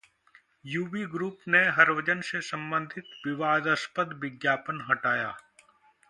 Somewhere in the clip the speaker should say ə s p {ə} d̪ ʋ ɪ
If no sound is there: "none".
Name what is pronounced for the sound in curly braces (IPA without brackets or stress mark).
ə